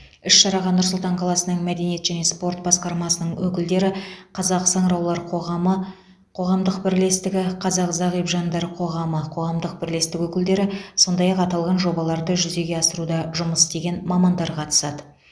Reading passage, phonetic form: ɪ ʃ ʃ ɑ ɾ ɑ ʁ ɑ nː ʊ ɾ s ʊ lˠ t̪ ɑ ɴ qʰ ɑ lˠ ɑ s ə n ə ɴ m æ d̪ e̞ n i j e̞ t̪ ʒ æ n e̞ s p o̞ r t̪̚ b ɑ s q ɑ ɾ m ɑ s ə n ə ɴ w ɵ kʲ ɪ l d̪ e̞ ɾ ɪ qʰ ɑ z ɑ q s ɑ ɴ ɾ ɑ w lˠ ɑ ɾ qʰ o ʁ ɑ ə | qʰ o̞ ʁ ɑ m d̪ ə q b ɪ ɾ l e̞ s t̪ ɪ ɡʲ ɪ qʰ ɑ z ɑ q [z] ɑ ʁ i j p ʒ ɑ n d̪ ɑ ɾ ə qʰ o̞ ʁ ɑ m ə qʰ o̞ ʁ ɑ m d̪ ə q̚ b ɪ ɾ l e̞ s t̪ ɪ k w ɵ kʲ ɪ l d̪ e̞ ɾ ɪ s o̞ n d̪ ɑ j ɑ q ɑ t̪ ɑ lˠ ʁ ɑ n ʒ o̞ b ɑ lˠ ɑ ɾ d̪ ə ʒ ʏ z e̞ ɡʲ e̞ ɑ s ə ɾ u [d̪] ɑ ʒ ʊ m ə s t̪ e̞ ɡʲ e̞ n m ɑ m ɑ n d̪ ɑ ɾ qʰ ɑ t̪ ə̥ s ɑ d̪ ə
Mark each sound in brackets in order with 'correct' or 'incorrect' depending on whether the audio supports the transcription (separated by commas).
correct, correct